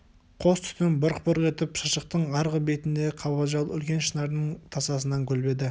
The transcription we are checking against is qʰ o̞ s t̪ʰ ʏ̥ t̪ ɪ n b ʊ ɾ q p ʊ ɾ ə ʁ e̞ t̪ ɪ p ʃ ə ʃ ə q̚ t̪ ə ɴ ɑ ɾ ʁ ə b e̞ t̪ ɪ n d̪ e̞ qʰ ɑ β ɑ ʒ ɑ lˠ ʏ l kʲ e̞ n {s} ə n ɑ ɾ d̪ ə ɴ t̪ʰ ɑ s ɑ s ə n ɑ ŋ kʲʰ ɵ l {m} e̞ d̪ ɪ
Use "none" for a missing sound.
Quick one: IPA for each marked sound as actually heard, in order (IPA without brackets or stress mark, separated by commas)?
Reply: ʃ, b